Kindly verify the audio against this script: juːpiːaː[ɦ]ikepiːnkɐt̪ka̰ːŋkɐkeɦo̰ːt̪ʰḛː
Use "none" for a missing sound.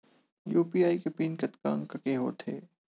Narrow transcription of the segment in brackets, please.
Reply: none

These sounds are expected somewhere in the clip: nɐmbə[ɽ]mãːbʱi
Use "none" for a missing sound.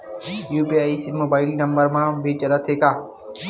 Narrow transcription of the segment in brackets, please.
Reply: ɾ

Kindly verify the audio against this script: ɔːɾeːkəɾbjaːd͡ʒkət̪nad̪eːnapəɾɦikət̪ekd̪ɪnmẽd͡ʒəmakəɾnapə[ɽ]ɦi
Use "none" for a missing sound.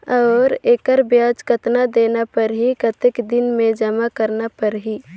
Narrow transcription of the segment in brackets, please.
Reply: ɾ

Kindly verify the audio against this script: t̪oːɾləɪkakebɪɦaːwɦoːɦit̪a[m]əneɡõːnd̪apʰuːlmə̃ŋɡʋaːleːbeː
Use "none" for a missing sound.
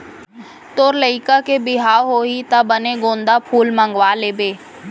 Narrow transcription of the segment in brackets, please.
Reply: b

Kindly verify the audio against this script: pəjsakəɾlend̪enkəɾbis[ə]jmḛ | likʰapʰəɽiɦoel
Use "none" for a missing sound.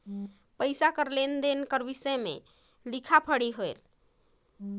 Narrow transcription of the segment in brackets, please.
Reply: ə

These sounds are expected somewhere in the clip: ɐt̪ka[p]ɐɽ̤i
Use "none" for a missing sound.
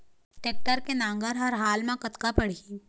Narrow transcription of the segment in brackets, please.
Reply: p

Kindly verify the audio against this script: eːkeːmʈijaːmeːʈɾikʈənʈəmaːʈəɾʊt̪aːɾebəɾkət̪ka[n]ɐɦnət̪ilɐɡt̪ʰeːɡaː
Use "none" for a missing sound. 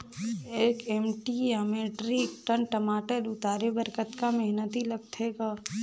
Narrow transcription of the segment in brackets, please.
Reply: m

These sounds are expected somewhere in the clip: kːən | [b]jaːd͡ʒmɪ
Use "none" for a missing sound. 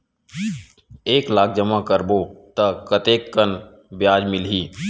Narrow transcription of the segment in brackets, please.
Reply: b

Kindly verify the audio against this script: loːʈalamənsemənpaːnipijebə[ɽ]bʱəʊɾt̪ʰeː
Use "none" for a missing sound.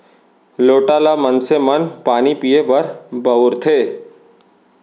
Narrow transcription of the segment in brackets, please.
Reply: ɾ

